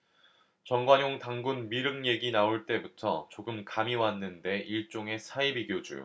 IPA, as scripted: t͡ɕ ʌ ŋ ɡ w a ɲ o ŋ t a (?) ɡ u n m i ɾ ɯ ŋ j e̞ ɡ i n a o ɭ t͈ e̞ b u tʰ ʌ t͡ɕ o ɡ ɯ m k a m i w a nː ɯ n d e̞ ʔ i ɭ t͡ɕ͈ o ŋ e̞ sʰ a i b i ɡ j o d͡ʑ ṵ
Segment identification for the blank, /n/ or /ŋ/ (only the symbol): ŋ